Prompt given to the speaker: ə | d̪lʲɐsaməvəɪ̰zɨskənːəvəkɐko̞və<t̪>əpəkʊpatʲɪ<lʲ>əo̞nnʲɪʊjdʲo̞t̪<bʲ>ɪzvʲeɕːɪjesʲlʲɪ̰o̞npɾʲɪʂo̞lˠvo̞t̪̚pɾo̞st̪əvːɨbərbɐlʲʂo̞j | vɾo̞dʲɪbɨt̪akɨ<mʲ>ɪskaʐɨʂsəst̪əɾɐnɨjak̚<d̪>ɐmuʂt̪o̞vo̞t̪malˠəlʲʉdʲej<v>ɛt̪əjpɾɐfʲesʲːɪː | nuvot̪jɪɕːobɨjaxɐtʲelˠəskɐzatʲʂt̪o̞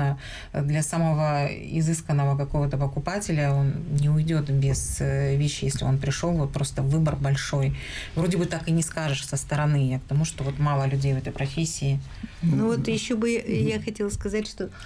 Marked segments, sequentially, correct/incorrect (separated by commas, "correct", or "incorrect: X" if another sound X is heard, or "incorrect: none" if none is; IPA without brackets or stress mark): correct, correct, correct, incorrect: nʲ, incorrect: t̪, correct